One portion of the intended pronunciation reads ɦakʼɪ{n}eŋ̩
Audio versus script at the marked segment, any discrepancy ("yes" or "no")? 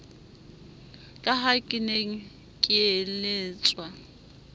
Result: no